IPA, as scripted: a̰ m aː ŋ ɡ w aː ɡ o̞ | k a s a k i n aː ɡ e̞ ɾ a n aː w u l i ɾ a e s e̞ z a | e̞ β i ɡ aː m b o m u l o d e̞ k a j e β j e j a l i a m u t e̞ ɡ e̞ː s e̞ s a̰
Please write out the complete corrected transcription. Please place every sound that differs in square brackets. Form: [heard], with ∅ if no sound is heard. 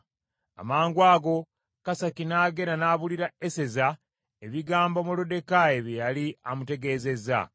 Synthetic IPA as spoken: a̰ m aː ŋ ɡ w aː ɡ o̞ | k a s a k i n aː ɡ e̞ ɾ a n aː [β] u l i ɾ a e s e̞ z a | e̞ β i ɡ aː m b o m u l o d e̞ k a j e β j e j a l i a m u t e̞ ɡ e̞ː [z] e̞ [z] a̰